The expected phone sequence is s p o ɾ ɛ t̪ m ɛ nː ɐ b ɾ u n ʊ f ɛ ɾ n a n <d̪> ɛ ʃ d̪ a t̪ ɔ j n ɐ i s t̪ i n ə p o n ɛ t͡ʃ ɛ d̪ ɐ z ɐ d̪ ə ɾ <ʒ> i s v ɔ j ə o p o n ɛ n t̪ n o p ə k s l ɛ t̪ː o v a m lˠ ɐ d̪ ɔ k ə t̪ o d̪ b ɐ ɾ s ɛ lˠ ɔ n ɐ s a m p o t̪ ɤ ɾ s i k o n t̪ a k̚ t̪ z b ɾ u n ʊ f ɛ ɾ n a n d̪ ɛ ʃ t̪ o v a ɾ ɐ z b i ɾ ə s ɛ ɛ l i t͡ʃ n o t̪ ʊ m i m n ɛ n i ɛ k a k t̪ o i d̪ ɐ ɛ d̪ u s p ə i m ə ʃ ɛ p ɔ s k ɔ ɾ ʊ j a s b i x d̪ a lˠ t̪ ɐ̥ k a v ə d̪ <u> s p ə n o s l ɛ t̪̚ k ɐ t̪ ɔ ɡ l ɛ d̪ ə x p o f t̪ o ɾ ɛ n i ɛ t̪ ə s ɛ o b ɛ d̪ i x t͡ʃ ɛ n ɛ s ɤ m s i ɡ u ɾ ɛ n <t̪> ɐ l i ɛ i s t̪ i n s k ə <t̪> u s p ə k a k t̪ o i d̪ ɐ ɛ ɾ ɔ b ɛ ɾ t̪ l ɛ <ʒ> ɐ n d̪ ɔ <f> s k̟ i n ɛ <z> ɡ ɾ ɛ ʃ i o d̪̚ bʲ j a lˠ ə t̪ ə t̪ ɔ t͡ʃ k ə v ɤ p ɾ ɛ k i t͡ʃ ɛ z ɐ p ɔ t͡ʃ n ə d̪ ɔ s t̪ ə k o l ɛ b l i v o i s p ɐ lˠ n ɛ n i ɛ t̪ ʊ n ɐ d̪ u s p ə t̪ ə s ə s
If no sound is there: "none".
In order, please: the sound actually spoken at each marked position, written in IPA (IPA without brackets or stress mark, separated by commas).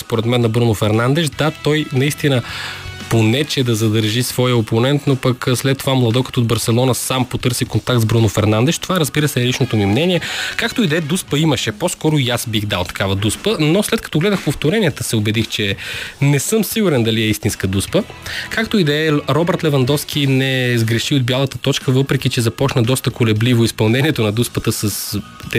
d̪, ʒ, u, d̪, d̪, v, f, z